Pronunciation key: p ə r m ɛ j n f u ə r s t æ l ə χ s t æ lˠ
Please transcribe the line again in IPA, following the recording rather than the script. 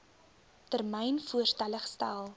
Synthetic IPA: t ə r m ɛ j n f u ə r s t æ l ə χ s t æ lˠ